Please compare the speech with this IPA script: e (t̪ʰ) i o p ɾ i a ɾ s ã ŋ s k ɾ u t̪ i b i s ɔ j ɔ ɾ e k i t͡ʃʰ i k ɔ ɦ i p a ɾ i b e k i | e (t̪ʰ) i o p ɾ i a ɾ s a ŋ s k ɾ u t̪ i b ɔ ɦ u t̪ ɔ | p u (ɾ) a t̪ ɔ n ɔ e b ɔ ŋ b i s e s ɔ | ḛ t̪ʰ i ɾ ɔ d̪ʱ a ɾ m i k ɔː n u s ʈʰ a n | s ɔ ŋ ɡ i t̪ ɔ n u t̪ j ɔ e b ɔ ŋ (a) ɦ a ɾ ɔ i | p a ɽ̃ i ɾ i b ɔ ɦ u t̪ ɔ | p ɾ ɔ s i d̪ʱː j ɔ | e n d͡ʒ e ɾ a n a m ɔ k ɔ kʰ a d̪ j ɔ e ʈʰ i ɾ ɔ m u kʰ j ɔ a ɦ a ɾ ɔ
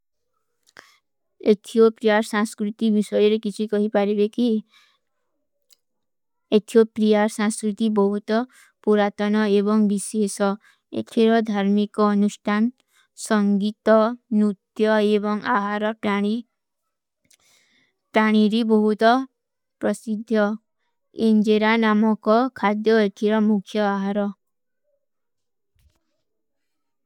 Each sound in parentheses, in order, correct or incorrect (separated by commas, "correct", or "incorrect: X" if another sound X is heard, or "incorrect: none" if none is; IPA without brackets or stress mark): correct, correct, correct, correct